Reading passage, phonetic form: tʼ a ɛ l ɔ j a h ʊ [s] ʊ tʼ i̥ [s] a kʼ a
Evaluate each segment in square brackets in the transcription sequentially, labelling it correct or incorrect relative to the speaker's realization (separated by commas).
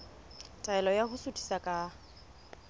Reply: correct, correct